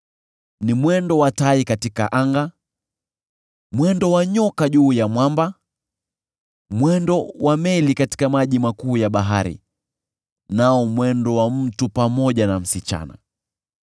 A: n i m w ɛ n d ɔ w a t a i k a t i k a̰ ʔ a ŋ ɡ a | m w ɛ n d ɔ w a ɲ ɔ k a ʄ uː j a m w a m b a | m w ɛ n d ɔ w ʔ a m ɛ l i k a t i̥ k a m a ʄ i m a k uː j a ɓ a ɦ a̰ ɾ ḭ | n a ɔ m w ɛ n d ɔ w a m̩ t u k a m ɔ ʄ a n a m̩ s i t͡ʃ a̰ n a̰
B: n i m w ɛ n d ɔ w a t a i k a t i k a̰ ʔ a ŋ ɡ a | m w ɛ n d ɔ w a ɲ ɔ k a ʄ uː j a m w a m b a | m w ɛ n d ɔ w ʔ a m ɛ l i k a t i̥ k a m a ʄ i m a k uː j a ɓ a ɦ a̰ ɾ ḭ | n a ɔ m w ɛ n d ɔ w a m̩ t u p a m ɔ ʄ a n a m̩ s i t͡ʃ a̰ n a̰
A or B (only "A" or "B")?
B